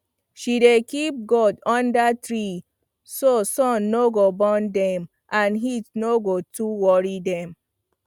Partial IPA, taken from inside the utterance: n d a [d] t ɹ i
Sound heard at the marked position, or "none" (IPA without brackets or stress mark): none